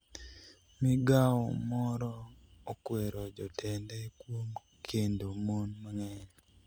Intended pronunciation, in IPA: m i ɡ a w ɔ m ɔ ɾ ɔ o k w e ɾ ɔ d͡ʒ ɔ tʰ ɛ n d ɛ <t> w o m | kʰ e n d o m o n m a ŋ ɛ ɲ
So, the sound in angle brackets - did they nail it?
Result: no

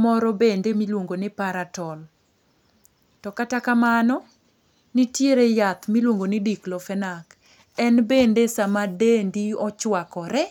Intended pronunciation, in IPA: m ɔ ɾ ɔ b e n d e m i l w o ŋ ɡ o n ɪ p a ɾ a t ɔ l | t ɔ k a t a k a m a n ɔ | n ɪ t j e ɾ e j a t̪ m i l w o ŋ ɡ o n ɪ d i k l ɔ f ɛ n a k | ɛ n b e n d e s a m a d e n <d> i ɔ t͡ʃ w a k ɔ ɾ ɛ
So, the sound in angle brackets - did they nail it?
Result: yes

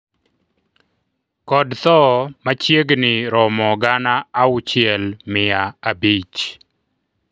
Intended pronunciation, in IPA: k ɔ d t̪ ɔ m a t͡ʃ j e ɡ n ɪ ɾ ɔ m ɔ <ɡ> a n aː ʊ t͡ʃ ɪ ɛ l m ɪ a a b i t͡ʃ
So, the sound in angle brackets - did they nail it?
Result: yes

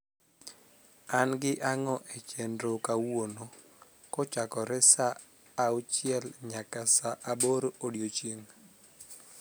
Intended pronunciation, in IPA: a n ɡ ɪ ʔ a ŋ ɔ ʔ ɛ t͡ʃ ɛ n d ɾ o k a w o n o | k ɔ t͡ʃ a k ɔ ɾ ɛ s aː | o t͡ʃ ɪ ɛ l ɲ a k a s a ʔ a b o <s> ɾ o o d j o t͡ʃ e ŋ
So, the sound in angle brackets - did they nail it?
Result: no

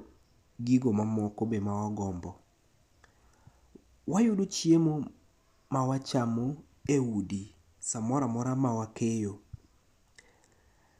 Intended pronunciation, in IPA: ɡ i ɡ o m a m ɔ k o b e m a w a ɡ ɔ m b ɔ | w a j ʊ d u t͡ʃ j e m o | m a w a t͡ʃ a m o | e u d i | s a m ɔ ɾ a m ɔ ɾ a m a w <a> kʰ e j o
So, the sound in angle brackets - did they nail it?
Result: yes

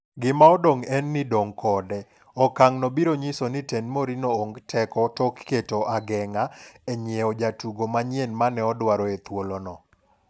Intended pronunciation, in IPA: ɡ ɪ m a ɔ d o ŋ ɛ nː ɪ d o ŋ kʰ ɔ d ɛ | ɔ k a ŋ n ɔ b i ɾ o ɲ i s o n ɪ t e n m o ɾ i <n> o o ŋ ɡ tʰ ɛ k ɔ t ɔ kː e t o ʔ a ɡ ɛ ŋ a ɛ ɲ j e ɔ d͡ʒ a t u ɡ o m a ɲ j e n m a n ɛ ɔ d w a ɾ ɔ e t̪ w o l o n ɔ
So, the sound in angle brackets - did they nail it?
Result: yes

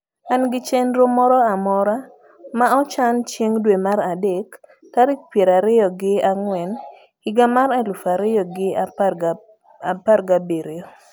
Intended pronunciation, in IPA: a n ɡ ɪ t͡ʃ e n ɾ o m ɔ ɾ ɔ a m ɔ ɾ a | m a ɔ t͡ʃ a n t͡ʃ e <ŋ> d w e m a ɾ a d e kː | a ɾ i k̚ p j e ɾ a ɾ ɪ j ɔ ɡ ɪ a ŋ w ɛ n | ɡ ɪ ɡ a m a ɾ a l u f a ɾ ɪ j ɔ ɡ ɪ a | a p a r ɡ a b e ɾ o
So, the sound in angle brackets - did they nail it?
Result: yes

